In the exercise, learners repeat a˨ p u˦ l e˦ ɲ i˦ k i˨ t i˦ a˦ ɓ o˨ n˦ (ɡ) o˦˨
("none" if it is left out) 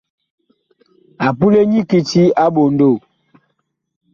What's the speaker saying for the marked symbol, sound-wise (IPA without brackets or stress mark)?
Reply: d